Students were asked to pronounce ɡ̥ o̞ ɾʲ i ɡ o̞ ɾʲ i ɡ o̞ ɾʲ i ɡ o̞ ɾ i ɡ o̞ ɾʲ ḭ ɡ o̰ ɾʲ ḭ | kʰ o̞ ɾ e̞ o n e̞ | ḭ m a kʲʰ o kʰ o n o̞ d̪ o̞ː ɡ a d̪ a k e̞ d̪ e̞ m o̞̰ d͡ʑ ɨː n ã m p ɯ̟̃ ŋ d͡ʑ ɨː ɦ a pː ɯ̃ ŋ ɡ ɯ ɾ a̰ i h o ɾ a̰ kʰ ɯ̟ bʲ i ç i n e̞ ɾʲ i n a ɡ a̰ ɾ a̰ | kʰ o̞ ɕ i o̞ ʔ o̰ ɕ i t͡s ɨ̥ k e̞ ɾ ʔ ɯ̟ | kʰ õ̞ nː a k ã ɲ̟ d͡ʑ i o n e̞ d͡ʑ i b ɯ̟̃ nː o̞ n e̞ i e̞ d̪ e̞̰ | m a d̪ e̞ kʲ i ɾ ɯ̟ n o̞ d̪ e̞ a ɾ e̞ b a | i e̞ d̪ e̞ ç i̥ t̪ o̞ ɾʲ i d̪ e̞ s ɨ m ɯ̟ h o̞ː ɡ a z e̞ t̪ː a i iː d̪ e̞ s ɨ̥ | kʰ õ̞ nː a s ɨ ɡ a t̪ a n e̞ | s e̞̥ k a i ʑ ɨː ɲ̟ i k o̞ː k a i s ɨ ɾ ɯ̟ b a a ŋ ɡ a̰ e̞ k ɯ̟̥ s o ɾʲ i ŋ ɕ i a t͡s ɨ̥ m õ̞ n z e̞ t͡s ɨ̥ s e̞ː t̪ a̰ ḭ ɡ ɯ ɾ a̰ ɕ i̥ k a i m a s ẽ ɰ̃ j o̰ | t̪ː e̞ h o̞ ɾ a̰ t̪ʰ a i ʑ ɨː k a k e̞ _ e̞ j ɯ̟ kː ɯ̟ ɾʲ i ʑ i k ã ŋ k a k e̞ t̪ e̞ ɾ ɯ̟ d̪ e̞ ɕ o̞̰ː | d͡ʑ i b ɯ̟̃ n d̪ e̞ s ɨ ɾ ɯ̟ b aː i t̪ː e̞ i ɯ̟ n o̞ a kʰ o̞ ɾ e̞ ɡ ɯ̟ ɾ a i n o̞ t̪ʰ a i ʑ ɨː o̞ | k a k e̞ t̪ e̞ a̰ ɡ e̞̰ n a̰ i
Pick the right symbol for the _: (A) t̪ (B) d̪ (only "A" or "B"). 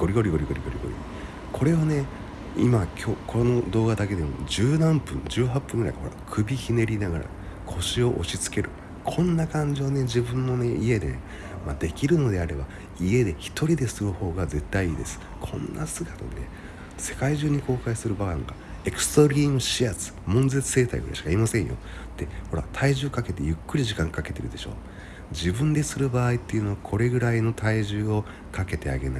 A